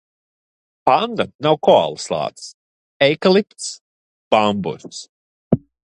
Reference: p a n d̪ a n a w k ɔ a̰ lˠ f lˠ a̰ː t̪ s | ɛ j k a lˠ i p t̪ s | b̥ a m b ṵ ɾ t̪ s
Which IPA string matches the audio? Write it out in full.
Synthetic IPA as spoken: p a n d̪ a n a w k ɔ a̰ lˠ s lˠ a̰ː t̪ s | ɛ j k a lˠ i p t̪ s | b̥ a m b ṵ ɾ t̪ s